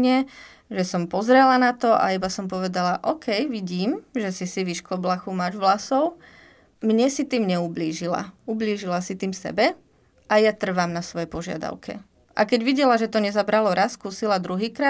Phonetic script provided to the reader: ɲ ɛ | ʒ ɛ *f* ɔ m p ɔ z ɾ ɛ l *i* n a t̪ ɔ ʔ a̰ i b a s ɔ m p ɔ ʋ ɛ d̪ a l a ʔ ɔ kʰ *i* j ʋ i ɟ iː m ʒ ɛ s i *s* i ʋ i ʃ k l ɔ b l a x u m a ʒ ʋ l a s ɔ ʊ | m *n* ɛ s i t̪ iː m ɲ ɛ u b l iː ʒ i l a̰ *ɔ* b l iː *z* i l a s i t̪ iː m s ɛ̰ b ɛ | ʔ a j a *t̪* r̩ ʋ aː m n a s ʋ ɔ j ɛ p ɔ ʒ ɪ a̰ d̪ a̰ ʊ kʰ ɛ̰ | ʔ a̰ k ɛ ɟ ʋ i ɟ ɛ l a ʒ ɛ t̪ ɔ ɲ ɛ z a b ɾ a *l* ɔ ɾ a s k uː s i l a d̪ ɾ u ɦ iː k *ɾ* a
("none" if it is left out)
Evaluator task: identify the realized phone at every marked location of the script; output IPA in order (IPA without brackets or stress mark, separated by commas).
s, a, ɛ, s, ɲ, u, ʒ, t̪, l, ɾ